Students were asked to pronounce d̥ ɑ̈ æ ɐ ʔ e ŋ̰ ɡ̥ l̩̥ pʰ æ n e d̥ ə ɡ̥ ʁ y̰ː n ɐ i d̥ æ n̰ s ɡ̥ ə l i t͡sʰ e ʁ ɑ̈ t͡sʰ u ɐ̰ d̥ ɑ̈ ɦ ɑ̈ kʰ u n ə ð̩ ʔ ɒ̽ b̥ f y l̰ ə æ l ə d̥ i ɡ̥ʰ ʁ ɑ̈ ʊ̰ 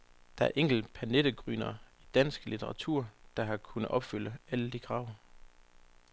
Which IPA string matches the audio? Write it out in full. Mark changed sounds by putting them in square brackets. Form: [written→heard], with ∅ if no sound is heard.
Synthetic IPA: d̥ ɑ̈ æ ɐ ʔ e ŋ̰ ɡ̥ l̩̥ pʰ æ n e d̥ ə ɡ̥ ʁ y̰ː n ɐ i d̥ æ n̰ s ɡ̥ ə l i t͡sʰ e ʁ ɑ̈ t͡sʰ u ɐ̰ d̥ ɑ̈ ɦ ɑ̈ kʰ u n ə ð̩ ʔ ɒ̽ b̥ f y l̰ ə æ l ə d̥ i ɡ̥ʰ ʁ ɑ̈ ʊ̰